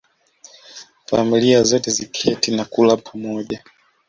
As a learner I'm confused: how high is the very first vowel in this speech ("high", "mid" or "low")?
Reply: low